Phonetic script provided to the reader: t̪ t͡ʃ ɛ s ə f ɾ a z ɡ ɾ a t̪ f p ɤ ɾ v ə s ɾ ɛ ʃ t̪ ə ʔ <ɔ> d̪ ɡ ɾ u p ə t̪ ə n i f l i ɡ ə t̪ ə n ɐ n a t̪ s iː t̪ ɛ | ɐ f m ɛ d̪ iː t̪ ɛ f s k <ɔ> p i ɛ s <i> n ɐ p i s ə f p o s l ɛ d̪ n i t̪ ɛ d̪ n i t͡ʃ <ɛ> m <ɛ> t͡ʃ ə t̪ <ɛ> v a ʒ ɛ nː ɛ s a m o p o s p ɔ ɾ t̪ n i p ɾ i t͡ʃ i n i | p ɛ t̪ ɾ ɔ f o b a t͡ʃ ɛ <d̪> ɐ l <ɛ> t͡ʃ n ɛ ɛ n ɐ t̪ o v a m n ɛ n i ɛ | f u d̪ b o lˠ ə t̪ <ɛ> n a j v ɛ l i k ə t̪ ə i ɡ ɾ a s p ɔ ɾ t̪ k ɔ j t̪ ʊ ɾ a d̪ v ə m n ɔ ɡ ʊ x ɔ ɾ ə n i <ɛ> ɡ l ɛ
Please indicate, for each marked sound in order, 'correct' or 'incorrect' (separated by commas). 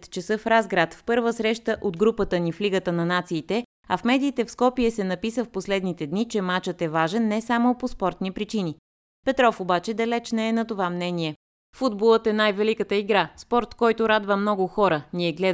incorrect, correct, incorrect, correct, incorrect, correct, correct, correct, correct, correct